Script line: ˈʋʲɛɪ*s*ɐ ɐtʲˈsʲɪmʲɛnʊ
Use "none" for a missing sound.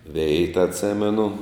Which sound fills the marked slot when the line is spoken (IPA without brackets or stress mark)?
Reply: t